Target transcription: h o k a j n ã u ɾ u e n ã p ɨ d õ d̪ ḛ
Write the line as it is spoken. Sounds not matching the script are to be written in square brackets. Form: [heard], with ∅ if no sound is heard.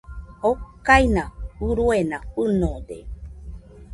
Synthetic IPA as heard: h o k a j n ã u ɾ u e n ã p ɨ [n] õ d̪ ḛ